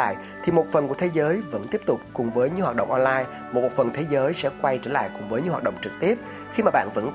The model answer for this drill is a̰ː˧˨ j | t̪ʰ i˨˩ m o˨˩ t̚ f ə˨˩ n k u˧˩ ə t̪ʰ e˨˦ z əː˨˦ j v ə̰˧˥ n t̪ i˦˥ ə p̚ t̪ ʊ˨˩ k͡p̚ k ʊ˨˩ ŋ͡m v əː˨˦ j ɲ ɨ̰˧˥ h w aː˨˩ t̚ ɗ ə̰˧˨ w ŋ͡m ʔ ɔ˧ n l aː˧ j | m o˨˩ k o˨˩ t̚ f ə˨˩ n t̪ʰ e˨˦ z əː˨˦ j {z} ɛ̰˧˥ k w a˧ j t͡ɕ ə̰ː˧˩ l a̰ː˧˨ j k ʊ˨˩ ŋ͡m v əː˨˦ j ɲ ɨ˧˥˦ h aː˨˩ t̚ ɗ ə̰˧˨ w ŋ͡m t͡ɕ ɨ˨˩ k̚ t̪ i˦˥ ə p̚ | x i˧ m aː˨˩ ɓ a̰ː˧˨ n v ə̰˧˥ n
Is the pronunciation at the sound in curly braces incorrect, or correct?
incorrect